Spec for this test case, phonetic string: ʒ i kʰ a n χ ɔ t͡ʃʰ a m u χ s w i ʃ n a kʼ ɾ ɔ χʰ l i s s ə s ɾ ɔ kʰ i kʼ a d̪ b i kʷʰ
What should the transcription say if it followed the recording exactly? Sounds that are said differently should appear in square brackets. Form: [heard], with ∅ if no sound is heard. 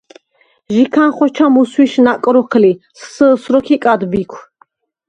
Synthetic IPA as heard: ʒ i kʰ a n χ ɔ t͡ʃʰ a m u [∅] s w i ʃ n a kʼ ɾ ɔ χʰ l i s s ə s ɾ ɔ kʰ i kʼ a d̪ b i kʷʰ